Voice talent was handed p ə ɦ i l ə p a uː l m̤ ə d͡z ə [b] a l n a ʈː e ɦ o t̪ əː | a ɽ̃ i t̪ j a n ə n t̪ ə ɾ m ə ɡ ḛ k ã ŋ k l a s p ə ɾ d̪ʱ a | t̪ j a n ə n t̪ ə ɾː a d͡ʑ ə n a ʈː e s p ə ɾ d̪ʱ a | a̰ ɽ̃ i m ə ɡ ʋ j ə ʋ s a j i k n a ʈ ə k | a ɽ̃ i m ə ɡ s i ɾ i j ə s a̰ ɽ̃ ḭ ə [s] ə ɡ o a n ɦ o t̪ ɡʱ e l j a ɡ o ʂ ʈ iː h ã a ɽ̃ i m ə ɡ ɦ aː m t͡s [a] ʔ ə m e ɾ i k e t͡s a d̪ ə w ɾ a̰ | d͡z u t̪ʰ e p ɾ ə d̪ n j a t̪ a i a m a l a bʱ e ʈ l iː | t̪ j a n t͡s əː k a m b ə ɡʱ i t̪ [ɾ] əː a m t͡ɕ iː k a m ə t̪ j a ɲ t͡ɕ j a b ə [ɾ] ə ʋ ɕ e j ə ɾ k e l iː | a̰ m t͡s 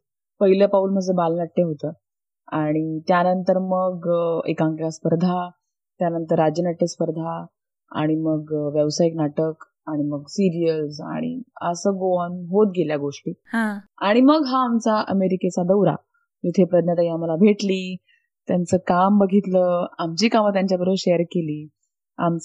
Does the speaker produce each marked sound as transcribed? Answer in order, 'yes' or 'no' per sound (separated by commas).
yes, yes, yes, no, yes